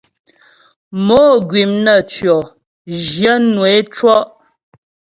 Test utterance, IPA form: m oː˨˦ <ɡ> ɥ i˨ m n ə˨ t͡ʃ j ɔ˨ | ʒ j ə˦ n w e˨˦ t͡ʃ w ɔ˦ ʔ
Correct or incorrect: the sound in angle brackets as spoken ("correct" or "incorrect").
correct